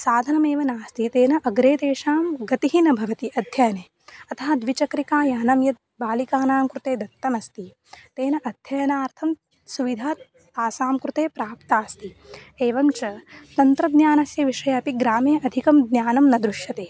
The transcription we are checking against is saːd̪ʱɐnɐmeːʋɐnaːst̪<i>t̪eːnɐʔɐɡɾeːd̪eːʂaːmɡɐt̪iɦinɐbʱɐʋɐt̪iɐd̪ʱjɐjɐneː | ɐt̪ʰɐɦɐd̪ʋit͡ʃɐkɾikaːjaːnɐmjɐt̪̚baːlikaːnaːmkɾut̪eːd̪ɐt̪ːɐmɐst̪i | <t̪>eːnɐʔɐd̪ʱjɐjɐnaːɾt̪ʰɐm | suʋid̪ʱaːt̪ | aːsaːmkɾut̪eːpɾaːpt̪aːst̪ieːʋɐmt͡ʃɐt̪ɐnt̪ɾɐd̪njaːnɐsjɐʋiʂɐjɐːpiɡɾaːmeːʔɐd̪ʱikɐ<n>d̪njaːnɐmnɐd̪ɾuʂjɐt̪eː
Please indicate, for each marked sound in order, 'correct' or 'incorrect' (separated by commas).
correct, correct, incorrect